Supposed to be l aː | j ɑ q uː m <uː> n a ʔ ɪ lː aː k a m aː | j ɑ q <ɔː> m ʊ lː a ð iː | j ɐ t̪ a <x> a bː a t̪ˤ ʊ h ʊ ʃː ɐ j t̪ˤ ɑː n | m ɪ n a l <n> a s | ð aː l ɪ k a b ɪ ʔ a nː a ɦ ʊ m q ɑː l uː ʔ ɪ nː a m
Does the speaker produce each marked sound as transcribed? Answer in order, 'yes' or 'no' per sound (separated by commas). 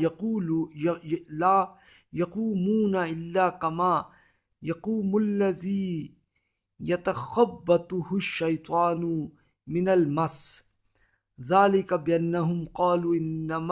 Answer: yes, no, yes, no